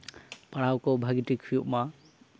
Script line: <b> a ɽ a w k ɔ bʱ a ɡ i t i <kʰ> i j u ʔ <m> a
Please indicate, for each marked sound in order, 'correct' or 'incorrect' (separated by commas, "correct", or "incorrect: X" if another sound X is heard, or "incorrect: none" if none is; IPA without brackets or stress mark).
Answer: incorrect: p, correct, correct